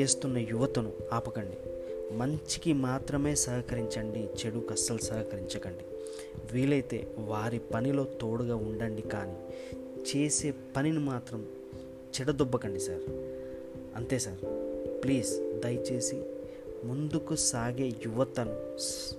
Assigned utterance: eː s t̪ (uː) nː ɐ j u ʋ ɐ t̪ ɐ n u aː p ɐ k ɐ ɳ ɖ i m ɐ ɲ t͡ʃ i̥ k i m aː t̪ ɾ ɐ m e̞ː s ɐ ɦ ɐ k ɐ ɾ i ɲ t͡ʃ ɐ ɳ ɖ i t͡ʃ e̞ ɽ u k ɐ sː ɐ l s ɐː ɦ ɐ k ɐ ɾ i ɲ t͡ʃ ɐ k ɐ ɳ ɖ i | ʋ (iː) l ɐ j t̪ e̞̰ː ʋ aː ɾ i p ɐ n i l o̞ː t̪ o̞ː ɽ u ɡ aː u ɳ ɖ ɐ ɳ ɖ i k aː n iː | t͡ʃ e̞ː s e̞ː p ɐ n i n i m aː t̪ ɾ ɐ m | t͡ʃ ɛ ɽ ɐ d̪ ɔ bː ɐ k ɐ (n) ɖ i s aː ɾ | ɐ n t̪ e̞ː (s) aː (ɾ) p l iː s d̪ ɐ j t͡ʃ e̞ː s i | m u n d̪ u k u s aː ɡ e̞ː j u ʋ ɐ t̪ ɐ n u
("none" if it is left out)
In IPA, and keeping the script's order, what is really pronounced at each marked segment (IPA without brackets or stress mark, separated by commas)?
u, iː, ɳ, s, ɾ